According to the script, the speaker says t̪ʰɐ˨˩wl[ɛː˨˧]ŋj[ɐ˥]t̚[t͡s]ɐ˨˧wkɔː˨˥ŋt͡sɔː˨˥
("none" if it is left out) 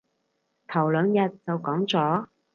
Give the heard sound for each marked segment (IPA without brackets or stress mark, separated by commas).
œː˨˧, ɐ˨, t͡s